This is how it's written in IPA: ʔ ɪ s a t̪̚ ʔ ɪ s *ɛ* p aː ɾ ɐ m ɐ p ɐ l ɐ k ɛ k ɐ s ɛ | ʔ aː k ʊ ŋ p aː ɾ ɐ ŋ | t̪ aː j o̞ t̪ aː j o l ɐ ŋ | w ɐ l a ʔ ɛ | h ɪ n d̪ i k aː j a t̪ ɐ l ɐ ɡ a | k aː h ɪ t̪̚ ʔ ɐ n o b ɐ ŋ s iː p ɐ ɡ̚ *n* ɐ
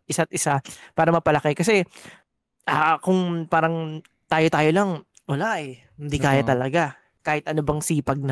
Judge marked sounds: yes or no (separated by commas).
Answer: no, yes